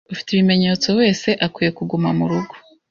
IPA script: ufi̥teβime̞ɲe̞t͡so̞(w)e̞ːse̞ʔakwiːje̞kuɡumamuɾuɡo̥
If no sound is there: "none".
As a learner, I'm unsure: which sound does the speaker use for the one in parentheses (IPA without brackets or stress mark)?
w